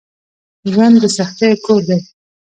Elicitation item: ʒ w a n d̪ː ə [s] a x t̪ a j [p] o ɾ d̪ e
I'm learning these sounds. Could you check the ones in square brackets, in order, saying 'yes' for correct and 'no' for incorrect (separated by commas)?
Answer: yes, no